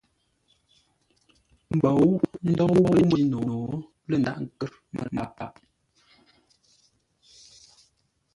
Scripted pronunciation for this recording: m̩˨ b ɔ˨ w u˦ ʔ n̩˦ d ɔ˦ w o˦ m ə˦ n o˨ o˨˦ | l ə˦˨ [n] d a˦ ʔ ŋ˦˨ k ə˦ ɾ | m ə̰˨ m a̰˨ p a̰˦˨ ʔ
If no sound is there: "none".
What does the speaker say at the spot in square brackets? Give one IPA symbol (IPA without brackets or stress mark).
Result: n